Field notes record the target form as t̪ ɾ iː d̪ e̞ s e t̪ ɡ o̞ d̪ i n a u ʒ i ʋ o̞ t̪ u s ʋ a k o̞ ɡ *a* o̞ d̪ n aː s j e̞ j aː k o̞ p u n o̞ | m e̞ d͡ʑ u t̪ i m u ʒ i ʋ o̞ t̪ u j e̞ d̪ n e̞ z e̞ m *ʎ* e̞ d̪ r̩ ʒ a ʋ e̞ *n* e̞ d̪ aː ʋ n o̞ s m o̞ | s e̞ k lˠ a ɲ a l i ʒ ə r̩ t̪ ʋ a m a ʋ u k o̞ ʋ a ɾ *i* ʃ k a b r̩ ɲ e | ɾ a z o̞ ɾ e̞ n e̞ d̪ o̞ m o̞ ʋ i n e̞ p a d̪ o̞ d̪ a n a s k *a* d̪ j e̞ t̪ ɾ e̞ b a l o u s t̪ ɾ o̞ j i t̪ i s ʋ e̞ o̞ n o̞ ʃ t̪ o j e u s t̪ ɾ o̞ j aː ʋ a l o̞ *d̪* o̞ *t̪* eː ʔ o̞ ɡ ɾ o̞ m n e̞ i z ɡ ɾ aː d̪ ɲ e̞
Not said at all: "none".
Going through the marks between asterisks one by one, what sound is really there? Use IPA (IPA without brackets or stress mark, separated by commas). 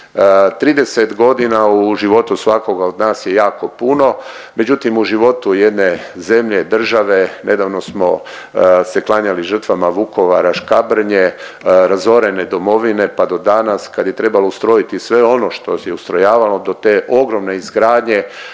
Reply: a, ʎ, n, a, a, d̪, t̪